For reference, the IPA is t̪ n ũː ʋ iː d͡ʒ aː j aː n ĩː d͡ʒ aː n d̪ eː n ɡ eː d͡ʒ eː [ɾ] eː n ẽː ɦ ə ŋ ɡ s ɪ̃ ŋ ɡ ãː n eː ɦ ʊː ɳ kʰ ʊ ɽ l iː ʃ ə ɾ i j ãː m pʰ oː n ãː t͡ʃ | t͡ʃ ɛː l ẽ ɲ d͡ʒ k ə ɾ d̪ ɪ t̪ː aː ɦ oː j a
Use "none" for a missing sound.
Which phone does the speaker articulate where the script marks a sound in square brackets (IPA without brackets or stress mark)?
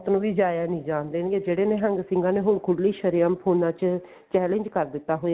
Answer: ɽ